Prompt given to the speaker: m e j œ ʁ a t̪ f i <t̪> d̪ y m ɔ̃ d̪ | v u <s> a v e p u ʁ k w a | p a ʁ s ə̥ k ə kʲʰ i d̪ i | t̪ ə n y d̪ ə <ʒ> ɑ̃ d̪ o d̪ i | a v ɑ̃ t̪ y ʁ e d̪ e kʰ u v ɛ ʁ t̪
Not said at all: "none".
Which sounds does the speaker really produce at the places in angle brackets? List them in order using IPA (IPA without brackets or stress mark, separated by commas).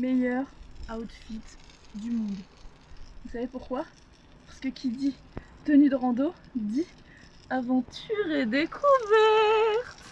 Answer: t̪, s, ʁ